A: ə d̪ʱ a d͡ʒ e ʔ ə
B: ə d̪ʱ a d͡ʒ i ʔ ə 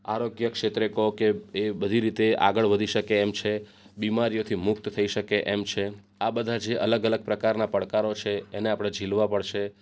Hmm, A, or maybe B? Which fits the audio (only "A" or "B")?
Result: A